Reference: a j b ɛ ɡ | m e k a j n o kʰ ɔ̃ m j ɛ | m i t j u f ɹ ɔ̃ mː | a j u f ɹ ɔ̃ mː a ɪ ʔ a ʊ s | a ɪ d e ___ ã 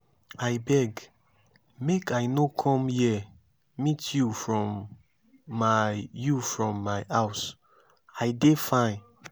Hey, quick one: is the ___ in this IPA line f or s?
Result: f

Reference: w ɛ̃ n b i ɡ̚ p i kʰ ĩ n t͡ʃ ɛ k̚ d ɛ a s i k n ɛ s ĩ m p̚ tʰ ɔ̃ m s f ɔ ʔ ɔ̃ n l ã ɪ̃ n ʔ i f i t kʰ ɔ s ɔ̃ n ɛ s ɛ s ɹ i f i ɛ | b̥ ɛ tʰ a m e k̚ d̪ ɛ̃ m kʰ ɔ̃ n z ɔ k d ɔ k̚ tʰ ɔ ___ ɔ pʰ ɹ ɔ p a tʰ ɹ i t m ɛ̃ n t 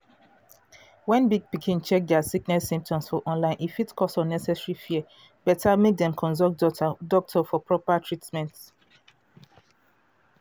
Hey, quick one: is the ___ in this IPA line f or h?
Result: f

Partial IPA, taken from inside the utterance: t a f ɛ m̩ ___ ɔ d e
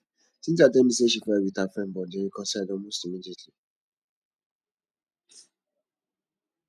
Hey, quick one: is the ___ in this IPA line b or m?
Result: b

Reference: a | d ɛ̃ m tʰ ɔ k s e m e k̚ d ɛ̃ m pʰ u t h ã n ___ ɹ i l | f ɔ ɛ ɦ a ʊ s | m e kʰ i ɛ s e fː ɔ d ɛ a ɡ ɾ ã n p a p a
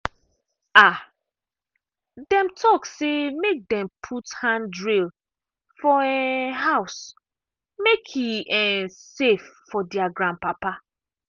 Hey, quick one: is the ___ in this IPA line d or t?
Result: d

